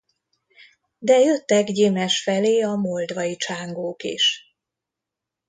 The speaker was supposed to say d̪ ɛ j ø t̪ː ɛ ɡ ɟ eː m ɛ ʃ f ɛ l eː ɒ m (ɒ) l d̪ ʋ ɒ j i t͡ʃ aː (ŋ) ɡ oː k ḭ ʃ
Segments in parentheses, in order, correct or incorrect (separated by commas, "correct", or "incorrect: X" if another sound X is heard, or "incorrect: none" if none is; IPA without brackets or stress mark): incorrect: o, correct